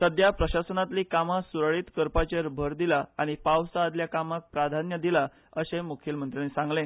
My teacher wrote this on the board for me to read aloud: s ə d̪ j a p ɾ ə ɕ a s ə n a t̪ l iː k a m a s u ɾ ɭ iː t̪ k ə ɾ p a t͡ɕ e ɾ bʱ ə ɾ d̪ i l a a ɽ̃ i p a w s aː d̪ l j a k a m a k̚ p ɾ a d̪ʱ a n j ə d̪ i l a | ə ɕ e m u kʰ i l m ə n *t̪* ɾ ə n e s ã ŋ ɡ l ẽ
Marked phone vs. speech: correct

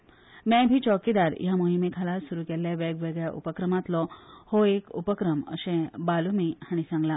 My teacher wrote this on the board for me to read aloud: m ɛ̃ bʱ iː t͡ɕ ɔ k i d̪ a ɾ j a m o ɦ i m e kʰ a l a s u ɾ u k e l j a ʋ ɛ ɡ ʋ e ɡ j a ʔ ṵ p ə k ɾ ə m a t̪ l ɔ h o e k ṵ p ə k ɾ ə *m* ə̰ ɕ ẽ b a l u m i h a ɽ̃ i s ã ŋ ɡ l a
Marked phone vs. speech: correct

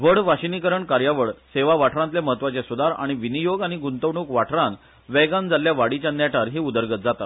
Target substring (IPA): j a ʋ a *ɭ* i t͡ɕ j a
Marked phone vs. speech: incorrect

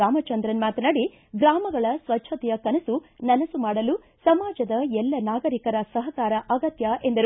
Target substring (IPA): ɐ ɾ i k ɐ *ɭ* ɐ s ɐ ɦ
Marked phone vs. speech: incorrect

